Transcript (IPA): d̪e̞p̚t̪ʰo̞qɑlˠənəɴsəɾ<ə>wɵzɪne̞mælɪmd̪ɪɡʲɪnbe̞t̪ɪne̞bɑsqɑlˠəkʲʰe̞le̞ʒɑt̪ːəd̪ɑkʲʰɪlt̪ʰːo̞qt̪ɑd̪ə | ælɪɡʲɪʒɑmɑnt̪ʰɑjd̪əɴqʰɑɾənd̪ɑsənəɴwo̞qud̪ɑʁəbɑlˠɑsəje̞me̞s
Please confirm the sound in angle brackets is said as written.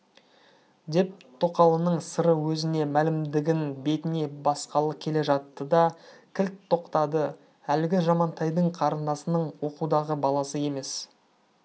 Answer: yes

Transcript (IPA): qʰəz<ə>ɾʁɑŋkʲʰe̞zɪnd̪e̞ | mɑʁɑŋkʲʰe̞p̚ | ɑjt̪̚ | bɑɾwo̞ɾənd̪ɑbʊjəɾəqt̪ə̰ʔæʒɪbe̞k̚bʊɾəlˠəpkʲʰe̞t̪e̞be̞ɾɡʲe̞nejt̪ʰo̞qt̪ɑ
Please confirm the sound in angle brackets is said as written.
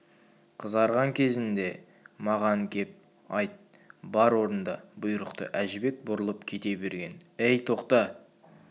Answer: no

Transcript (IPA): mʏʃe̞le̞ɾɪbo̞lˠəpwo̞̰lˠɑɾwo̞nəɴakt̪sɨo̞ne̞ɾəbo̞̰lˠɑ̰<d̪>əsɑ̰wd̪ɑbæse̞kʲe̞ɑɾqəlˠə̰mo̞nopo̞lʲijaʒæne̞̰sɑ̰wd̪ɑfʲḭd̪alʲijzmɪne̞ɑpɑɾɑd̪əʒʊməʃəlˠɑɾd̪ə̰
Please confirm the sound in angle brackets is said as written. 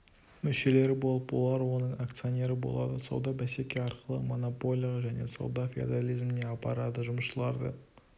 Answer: yes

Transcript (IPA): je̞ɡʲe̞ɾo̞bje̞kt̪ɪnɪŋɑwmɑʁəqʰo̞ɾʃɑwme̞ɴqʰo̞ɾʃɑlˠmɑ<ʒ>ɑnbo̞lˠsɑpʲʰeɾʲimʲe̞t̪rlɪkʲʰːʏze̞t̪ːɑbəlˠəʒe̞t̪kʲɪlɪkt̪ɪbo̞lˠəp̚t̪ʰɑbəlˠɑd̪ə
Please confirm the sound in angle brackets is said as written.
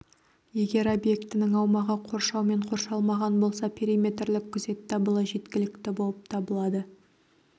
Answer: no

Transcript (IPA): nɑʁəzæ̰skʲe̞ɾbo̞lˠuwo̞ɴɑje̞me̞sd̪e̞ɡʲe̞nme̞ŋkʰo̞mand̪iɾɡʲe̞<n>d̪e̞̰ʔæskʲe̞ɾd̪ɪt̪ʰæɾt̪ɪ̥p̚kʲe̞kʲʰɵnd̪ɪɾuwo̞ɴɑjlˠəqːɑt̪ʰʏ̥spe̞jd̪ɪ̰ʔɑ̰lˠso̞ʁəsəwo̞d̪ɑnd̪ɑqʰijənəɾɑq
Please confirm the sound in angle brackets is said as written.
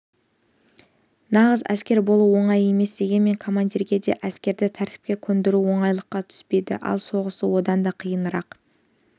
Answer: no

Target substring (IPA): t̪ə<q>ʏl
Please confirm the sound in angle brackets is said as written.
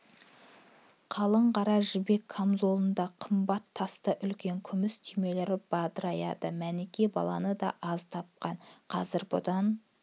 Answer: no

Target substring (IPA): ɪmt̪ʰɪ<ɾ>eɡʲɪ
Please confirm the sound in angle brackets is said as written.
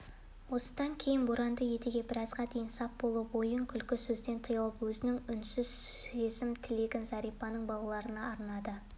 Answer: no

